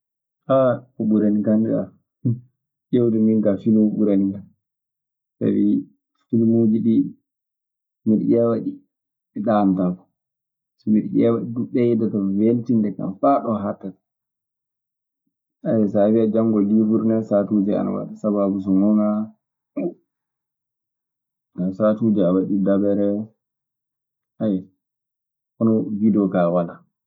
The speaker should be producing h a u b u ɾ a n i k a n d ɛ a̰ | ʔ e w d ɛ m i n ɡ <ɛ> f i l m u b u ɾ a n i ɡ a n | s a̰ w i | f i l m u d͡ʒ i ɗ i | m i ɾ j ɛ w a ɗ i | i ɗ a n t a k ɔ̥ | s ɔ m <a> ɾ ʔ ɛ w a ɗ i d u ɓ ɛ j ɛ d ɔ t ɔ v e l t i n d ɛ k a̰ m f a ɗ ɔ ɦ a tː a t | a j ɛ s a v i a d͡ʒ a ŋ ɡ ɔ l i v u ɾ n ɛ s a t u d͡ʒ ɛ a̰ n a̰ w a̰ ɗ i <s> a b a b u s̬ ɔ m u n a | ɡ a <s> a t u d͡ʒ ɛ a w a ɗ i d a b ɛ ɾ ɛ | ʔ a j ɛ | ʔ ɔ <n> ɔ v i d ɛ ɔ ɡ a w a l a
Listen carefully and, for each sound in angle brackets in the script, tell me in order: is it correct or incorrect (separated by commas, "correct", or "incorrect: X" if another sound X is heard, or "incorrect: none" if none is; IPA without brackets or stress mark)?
incorrect: a, incorrect: i, correct, correct, correct